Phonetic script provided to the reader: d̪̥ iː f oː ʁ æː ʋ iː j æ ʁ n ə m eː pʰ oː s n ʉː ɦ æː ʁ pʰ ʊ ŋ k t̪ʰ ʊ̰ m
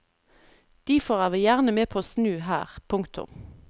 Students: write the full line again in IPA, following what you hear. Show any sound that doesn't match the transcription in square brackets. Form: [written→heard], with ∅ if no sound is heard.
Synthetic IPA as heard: d̪̥ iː f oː ʁ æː ʋ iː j æ ʁ n ə m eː pʰ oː s n ʉː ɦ æː ʁ pʰ ʊ ŋ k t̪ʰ ʊ̰ m